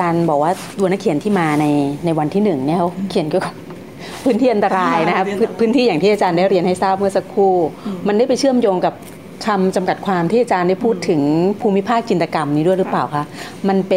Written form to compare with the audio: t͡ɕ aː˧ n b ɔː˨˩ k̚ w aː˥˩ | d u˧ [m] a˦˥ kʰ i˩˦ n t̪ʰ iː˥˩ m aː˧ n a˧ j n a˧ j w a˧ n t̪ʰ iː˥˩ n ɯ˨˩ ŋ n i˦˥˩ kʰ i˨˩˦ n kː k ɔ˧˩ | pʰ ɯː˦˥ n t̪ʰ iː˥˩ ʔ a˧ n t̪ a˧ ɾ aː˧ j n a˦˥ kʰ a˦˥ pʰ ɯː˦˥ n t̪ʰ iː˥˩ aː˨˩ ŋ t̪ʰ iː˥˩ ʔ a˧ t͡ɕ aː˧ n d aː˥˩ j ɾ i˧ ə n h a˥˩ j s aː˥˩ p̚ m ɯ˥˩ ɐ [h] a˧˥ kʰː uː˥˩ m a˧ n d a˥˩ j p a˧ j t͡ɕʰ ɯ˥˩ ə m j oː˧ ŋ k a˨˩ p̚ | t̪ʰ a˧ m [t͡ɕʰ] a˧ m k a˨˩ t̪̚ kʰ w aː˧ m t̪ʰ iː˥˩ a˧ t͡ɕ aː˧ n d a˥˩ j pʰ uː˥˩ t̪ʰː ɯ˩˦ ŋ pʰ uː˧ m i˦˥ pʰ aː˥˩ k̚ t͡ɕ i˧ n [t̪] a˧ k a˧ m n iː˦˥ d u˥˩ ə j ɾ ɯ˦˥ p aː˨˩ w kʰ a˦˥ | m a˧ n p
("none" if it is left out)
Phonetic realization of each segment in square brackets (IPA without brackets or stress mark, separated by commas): n, s, t͡ɕ, t̪